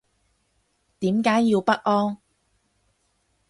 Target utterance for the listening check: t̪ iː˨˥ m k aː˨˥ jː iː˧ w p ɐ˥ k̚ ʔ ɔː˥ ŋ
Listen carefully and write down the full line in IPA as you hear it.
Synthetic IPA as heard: t̪ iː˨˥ m k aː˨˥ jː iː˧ w p ɐ˥ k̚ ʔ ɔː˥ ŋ